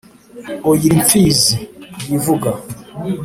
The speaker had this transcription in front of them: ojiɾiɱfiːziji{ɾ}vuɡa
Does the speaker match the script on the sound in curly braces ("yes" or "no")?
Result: no